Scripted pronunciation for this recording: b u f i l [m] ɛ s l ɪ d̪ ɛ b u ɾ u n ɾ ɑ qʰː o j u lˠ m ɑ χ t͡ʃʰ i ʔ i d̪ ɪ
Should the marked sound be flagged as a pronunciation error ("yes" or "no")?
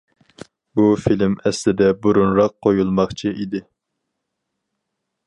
no